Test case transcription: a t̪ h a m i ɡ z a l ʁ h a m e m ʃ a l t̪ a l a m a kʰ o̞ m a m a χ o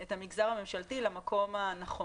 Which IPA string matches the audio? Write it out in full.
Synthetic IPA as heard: e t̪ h a m i ɡ z a ʁ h a m e m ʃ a l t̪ i l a m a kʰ o̞ m a n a χ o